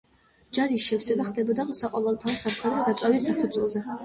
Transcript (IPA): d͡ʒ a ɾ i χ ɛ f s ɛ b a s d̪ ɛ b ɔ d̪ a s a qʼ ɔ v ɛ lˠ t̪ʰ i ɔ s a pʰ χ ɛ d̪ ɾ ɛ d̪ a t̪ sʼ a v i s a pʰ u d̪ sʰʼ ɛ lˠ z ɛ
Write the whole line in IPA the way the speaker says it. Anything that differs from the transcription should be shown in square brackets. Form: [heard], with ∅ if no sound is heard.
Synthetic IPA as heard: d͡ʒ a ɾ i [ʃ] ɛ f s ɛ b a [χ] d̪ ɛ b ɔ d̪ a s a qʼ ɔ v ɛ lˠ t̪ʰ [a] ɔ s a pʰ χ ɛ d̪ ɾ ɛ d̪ a t̪ sʼ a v i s a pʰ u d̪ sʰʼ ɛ lˠ z ɛ